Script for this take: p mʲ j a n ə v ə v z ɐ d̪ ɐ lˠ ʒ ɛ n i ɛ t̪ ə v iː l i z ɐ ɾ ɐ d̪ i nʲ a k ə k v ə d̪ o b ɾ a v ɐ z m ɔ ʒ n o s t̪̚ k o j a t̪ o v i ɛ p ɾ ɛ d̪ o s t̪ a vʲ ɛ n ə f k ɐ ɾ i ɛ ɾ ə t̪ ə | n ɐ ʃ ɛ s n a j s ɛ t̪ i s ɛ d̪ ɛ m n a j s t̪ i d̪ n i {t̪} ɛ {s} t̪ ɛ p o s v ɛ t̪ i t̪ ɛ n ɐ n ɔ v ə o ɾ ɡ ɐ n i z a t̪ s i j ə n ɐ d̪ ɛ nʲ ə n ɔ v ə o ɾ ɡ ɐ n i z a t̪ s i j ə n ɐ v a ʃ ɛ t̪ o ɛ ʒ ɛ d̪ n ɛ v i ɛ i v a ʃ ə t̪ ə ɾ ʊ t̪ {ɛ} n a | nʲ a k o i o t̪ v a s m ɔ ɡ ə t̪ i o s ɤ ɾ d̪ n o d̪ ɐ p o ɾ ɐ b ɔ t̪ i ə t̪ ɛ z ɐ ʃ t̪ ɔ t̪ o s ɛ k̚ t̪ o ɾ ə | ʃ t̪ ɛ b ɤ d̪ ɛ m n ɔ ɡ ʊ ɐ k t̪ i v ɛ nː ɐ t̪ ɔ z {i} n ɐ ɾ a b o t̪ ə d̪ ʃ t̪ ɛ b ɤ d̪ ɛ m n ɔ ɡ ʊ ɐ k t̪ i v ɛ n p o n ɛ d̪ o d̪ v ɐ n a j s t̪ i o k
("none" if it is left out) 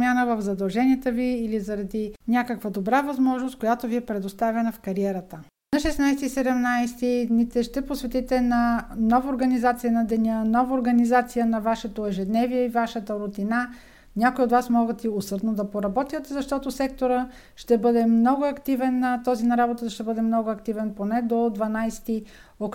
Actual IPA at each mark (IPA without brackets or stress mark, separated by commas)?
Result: t̪, ʃ, i, i